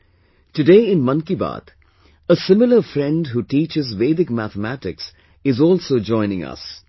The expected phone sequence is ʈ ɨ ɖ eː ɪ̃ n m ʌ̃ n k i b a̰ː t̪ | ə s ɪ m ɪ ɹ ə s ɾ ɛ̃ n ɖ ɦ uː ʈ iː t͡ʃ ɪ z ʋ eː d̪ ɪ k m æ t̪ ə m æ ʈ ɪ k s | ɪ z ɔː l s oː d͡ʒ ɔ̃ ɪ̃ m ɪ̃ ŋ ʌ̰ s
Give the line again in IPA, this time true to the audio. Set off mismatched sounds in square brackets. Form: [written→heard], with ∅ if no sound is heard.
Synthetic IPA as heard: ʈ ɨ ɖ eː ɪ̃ n m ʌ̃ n k i b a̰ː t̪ | ə s ɪ m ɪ [ɹ→l] ə [s→f] ɾ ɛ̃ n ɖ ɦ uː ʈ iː t͡ʃ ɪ z ʋ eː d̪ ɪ k m æ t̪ ə m æ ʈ ɪ k s | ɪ z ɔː l s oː d͡ʒ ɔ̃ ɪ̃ [m→n] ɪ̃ ŋ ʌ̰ s